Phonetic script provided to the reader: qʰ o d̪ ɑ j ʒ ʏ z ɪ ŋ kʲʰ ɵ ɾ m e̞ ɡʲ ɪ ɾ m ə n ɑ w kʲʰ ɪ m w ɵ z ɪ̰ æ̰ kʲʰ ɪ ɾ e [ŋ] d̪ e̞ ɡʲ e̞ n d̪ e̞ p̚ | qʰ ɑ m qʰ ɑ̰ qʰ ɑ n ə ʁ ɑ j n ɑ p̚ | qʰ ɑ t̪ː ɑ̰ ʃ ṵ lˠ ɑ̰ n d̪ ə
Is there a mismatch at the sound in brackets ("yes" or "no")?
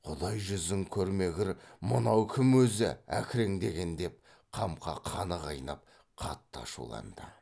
no